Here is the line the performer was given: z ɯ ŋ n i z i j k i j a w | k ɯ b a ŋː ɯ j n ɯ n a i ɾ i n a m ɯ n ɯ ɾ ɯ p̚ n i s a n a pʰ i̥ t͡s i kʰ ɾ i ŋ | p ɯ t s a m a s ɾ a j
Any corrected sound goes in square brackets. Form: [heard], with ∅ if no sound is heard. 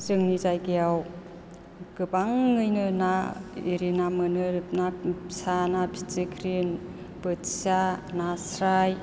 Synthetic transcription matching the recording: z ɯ ŋ n i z [a] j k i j a w | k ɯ b a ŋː ɯ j n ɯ n a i ɾ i n a m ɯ n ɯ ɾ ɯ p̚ n [a] s a n a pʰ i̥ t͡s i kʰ ɾ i [n] | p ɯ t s a [n] a s ɾ a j

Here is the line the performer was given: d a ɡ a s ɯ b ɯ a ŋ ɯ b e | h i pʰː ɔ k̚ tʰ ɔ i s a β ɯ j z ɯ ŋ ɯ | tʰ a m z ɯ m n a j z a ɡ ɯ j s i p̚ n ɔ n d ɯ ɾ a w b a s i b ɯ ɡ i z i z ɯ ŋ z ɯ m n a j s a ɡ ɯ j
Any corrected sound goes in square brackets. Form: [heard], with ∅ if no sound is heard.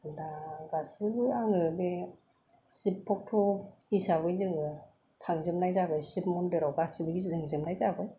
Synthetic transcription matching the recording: d a ɡ a s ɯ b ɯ a ŋ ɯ b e | [s] i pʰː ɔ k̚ tʰ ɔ i s a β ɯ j z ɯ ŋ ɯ | tʰ a [ŋ] z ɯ m n a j z a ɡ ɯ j s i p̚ [m] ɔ n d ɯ ɾ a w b a s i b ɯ ɡ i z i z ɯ ŋ z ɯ m n a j [z] a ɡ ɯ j

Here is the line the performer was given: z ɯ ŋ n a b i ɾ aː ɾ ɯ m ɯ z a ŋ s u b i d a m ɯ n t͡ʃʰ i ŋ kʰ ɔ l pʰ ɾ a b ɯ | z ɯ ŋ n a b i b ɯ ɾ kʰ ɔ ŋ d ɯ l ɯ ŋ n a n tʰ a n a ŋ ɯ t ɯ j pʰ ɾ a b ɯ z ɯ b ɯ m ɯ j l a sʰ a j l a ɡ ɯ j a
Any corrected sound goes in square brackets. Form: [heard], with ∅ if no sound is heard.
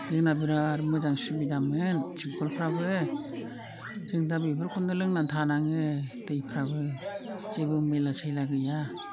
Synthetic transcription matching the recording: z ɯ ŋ n a b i ɾ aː ɾ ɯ m ɯ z a ŋ s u b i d a m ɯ n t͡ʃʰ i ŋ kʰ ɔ l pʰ ɾ a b ɯ | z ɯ ŋ [d] a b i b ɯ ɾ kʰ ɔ [n] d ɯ l ɯ ŋ n a n tʰ a n a ŋ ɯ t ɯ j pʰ ɾ a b ɯ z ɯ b ɯ m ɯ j l a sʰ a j l a ɡ ɯ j a

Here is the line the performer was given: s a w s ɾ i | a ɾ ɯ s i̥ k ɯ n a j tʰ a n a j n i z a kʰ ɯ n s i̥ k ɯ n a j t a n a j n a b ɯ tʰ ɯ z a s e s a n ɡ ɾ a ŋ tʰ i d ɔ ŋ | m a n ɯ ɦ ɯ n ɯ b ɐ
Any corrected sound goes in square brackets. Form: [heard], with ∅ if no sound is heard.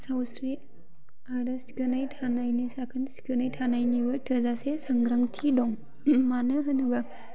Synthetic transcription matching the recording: s a w s ɾ i | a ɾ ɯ s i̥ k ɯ n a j tʰ a n a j n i [s] a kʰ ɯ n s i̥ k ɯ n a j [tʰ] a n a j n [i] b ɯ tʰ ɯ z a s e s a [ŋ] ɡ ɾ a ŋ tʰ i d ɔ ŋ | m a n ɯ ɦ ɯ n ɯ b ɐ

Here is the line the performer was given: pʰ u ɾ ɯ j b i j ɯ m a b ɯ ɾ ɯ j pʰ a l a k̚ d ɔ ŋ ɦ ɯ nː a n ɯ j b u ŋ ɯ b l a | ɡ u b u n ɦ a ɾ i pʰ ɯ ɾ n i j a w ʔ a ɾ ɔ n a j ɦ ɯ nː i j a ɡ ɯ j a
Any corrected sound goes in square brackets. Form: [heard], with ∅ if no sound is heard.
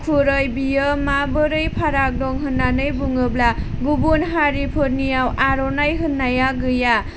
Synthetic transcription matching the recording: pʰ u ɾ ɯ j b i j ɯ m a b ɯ ɾ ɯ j pʰ a [ɾ] a k̚ d ɔ ŋ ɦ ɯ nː a n ɯ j b u ŋ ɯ b l a | ɡ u b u n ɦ a ɾ i pʰ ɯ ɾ n i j a w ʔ a ɾ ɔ n a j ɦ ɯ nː [a] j a ɡ ɯ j a

